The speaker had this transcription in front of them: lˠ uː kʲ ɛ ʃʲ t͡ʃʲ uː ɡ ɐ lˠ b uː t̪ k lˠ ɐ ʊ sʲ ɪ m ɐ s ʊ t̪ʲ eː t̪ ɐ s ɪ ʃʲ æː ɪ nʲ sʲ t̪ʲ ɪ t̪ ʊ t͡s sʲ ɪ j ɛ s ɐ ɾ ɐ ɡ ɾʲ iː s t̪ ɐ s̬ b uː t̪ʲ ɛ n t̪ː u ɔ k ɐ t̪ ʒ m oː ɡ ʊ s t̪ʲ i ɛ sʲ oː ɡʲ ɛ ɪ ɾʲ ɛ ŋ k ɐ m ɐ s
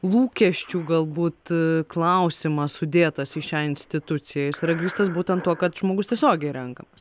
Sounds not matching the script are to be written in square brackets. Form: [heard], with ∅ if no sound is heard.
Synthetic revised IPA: lˠ uː kʲ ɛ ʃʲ t͡ʃʲ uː ɡ ɐ lˠ b uː t̪ k lˠ ɐ ʊ sʲ ɪ m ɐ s ʊ [d̪ʲ] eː t̪ ɐ s ɪ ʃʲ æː ɪ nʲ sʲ t̪ʲ ɪ t̪ ʊ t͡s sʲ ɪ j ɛ s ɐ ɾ ɐ ɡ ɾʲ iː s t̪ ɐ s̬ b uː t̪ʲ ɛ n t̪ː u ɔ k ɐ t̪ ʒ m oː ɡ ʊ s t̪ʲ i ɛ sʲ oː ɡʲ ɛ ɪ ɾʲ ɛ ŋ k ɐ m ɐ s